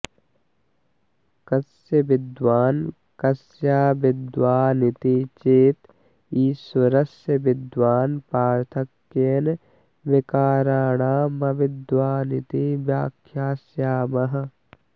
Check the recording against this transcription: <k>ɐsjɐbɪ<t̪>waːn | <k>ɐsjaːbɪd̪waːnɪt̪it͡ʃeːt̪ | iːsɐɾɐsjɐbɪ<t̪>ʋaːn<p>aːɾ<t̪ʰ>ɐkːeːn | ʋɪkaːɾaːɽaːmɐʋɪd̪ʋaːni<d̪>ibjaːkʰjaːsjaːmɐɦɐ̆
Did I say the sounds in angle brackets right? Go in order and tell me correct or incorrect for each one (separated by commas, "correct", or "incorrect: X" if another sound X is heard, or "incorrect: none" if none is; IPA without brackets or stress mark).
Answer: correct, incorrect: d̪, correct, incorrect: d̪, correct, correct, incorrect: t̪